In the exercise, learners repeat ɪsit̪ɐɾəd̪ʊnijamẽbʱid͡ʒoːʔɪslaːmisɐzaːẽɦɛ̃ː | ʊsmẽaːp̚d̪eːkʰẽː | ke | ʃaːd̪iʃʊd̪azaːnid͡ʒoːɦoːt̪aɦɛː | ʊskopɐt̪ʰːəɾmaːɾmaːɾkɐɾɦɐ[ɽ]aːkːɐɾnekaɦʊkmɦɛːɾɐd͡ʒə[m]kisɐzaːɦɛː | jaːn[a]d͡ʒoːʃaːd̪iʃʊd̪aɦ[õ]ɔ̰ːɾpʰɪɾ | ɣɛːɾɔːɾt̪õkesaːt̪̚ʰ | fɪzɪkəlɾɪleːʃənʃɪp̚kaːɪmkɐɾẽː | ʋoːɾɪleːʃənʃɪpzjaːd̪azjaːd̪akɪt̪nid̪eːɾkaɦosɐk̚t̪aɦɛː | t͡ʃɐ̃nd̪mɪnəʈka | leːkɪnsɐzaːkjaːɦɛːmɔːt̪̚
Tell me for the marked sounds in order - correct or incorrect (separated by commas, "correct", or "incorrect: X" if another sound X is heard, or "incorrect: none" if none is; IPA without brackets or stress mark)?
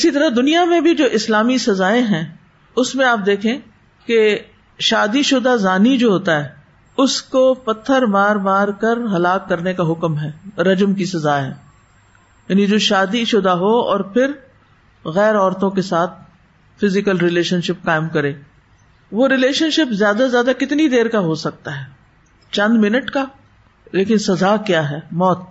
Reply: incorrect: l, correct, incorrect: i, incorrect: o